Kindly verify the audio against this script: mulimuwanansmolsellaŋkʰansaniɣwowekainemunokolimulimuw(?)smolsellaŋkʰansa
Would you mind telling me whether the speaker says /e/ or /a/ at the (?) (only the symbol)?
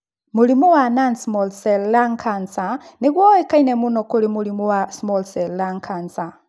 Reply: a